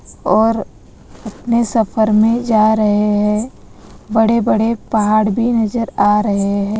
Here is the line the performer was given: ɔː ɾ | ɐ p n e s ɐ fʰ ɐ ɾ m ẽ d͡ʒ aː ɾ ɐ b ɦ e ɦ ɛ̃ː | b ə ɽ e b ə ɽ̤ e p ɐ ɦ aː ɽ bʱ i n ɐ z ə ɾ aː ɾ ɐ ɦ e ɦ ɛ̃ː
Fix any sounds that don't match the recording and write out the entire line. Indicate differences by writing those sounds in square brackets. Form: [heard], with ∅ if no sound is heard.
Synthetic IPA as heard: ɔː ɾ | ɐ p n e s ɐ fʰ [ə] ɾ m ẽ d͡ʒ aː ɾ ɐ [∅] ɦ e ɦ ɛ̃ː | b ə ɽ e b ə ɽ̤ e p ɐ ɦ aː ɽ bʱ i n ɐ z ə ɾ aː ɾ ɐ ɦ e ɦ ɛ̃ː